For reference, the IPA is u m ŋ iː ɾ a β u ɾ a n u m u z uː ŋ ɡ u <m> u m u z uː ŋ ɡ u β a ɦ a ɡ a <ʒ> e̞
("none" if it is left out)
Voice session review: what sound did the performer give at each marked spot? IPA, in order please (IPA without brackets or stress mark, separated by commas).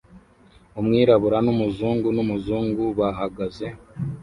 n, z